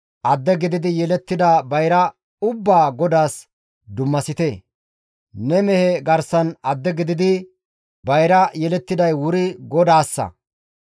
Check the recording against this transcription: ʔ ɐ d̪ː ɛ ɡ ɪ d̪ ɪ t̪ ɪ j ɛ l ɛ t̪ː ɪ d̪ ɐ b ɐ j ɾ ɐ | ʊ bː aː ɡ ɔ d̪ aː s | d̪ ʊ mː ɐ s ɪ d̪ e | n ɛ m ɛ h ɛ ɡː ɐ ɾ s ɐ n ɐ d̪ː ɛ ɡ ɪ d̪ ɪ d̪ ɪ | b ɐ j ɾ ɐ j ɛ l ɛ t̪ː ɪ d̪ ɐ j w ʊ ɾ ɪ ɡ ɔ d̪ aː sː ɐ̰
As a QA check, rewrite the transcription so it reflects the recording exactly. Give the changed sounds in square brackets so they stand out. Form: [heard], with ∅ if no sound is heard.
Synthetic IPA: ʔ ɐ d̪ː ɛ ɡ ɪ d̪ ɪ [d̪] ɪ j ɛ l ɛ t̪ː ɪ d̪ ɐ b ɐ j ɾ ɐ | ʊ bː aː ɡ ɔ d̪ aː s | d̪ ʊ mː ɐ s ɪ [t̪] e | n ɛ m ɛ h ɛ [ɡ] ɐ ɾ s ɐ n ɐ d̪ː ɛ ɡ ɪ d̪ ɪ d̪ ɪ | b ɐ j ɾ ɐ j ɛ l ɛ t̪ː ɪ d̪ ɐ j w ʊ ɾ ɪ ɡ ɔ d̪ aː sː ɐ̰